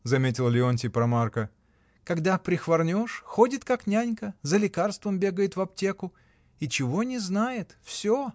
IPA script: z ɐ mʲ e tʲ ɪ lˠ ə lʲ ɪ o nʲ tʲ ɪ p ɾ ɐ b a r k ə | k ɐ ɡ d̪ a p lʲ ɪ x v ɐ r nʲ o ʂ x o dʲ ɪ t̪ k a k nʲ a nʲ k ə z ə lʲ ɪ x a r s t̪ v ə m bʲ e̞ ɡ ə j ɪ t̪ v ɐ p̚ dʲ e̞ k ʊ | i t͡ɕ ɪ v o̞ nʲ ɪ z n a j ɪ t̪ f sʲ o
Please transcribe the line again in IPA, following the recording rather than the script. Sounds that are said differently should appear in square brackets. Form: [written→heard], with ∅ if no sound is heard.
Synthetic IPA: z ɐ mʲ e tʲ ɪ lˠ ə lʲ ɪ o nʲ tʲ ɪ p ɾ ɐ [b→m] a r k ə | k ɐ ɡ d̪ a p [lʲ→ɾʲ] ɪ x v ɐ r nʲ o ʂ x o dʲ ɪ t̪ k a k nʲ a nʲ k ə z ə lʲ ɪ [x→k] a r s t̪ v ə m bʲ e̞ ɡ ə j ɪ t̪ v ɐ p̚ [dʲ→tʲ] e̞ k ʊ | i t͡ɕ ɪ v o̞ nʲ ɪ z n a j ɪ t̪ f sʲ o